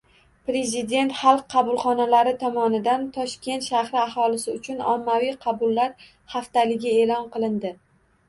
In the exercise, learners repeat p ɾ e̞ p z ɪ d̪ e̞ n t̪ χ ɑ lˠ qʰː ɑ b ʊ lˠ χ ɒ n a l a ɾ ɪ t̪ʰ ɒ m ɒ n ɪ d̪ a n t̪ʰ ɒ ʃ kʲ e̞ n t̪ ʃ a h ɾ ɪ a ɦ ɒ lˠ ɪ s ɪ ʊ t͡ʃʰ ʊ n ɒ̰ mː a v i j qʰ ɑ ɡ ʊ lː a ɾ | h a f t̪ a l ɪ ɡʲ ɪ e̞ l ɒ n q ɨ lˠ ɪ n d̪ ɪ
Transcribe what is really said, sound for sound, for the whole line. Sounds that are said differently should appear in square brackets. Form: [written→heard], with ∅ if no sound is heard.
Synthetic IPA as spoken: p ɾ e̞ [p→∅] z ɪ d̪ e̞ n t̪ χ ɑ lˠ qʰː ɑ b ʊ lˠ χ ɒ n a l a ɾ ɪ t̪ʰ ɒ m ɒ n ɪ d̪ a n t̪ʰ ɒ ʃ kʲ e̞ n t̪ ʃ a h ɾ ɪ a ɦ ɒ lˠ ɪ s ɪ ʊ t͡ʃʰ ʊ n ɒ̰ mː a v i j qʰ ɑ [ɡ→b] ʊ lː a ɾ | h a f t̪ a l ɪ ɡʲ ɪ e̞ l ɒ n q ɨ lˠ ɪ n d̪ ɪ